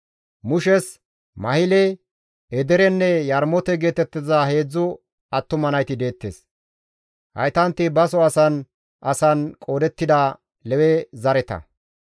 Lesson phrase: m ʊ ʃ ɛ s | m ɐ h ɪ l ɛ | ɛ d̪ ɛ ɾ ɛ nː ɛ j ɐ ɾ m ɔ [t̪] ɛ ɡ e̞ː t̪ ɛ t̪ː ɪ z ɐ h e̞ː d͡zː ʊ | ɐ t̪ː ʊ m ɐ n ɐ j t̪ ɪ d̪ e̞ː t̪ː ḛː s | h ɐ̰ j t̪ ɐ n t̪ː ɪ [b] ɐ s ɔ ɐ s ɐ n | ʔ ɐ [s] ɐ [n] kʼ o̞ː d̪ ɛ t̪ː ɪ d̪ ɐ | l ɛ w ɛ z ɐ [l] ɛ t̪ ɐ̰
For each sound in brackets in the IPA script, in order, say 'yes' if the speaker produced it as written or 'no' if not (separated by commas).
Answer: yes, yes, yes, yes, no